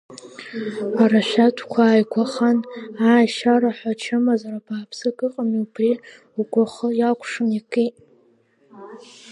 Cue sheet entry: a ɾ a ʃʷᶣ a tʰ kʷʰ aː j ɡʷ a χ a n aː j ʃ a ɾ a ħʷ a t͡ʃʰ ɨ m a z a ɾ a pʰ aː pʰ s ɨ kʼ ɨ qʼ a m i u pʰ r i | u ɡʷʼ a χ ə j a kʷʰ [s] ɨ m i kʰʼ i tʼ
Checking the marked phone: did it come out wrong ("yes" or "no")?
yes